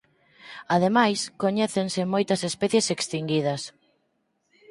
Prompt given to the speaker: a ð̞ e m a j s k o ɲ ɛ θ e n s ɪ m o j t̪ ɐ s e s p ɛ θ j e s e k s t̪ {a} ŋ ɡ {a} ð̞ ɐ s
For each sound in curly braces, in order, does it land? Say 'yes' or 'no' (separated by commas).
no, no